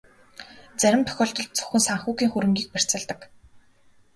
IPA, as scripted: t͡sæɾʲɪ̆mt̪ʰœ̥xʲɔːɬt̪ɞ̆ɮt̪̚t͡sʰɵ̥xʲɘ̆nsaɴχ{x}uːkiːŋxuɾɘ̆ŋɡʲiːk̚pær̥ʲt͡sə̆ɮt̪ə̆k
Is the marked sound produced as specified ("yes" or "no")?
yes